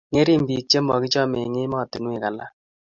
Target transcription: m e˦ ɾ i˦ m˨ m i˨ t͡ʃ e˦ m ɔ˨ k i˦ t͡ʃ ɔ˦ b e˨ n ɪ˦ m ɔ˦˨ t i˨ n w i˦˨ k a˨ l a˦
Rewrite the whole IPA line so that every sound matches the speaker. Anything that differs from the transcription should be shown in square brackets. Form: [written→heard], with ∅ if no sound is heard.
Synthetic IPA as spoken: [m→ŋ] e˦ ɾ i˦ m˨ [m→b] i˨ t͡ʃ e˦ m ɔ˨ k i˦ t͡ʃ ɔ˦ [b→m] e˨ [n→ŋ] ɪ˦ m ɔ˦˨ t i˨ n w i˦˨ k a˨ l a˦